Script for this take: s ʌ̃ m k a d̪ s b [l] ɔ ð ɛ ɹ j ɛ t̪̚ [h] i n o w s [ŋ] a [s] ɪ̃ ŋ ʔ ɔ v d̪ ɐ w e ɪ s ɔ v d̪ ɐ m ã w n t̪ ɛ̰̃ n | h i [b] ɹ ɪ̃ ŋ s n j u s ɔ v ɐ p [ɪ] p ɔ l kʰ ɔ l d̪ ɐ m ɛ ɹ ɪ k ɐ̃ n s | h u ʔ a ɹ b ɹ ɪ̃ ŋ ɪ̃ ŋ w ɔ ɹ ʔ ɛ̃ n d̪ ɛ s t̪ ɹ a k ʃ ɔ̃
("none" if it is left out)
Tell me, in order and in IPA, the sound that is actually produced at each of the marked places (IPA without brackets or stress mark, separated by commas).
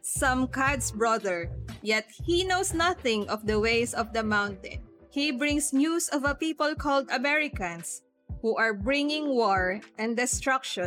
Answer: ɹ, h, n, θ, b, i